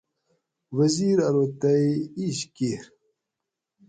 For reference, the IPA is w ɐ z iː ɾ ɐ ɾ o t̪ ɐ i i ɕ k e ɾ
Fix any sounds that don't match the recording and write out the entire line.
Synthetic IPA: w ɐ z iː ɾ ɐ ɾ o t̪ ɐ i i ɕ k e ɾ